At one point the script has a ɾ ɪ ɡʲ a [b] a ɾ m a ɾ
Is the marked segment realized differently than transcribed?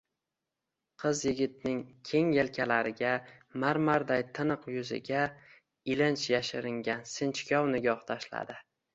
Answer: yes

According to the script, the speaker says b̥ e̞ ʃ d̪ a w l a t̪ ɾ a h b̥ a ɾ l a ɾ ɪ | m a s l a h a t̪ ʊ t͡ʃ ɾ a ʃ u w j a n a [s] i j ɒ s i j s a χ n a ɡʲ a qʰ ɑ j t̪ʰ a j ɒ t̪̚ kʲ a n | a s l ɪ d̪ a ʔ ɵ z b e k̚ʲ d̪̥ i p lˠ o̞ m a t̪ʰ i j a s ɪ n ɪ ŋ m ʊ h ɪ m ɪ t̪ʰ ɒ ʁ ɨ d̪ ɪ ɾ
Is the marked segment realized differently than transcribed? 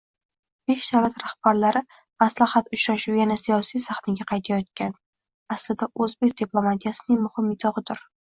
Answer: no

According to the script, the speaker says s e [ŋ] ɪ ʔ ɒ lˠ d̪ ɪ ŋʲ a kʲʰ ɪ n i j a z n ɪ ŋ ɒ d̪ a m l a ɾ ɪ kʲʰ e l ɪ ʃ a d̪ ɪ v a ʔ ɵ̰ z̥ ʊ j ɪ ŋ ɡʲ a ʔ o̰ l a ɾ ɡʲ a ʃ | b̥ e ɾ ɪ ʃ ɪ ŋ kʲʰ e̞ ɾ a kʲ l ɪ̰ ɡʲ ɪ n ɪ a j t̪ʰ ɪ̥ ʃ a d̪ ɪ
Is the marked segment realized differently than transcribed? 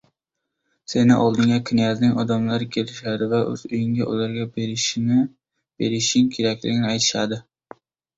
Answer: yes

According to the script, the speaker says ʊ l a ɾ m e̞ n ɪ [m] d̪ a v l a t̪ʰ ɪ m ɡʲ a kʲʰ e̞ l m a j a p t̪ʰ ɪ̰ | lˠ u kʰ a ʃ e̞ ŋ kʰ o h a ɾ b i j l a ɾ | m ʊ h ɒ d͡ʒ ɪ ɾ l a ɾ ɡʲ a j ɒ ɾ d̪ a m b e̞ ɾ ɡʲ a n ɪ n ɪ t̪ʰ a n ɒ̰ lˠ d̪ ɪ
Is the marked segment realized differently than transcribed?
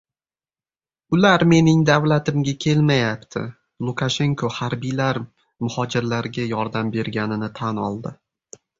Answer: yes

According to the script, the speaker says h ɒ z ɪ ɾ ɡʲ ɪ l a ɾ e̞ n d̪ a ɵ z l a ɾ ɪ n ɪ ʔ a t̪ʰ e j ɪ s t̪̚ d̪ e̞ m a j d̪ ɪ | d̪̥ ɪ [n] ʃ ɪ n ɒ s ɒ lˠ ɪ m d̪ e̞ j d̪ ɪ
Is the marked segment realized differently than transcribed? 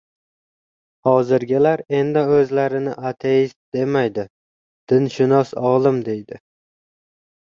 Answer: no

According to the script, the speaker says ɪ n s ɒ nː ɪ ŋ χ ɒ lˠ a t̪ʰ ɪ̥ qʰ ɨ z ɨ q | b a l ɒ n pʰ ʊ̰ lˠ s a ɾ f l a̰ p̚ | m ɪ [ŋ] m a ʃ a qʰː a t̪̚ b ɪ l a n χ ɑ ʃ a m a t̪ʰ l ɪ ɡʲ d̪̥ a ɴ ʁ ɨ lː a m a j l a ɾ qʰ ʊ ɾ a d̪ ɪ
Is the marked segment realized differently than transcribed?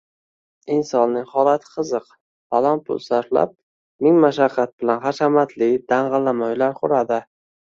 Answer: no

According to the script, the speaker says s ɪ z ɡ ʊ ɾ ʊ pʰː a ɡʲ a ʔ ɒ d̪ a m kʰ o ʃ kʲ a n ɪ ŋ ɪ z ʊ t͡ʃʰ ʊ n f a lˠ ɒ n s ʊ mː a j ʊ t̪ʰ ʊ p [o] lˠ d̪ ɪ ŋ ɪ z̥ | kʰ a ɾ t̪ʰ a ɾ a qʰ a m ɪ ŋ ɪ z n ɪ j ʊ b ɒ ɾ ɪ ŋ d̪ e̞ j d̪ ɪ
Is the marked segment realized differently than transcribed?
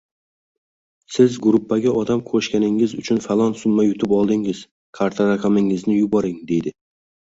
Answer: yes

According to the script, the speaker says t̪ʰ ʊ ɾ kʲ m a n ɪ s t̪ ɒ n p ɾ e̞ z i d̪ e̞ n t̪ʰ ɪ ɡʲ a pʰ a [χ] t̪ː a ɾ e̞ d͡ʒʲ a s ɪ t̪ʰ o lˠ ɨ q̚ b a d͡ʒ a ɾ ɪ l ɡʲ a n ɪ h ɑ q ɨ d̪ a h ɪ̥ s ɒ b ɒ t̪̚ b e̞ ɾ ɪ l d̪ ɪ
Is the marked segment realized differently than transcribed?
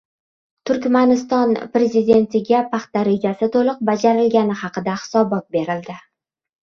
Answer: no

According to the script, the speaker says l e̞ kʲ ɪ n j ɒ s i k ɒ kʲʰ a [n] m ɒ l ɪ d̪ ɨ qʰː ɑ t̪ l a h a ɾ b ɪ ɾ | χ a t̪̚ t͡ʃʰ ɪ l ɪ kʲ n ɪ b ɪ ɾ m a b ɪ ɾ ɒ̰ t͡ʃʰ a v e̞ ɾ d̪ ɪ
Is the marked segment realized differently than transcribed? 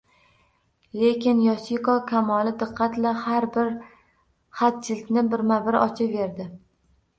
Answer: yes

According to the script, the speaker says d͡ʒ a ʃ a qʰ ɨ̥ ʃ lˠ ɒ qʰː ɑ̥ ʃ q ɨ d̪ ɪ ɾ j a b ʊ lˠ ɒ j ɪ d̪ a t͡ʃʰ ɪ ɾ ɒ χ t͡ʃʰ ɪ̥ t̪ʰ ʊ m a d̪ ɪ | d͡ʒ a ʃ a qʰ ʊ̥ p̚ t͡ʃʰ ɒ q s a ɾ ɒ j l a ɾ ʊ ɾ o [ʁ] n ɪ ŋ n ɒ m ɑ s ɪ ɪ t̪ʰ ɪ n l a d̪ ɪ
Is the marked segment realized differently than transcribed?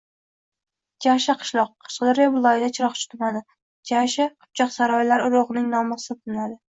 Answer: no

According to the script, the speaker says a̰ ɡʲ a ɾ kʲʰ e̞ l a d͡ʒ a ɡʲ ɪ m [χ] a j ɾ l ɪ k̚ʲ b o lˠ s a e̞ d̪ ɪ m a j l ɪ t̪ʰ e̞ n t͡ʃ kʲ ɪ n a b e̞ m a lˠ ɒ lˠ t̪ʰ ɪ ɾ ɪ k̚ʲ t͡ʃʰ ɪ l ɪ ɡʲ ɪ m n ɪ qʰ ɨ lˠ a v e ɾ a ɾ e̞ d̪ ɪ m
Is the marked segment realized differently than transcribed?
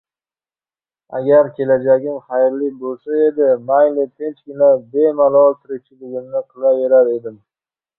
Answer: no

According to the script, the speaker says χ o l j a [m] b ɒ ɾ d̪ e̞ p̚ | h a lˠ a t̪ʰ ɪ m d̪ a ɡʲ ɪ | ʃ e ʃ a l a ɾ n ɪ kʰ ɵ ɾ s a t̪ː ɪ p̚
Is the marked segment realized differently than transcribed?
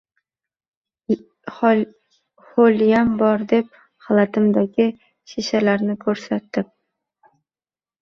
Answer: no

